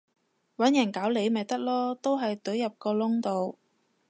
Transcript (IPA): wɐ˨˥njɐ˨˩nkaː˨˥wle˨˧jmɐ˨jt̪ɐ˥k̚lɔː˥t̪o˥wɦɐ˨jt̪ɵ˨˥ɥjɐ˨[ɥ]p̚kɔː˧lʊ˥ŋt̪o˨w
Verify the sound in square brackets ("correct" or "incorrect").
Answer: incorrect